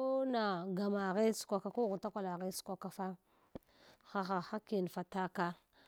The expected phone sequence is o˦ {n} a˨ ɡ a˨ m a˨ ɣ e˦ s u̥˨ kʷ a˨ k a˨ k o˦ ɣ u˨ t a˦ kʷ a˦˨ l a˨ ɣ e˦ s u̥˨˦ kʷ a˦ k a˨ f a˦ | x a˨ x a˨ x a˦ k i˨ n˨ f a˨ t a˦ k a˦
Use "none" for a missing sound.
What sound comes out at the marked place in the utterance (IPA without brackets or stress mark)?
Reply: n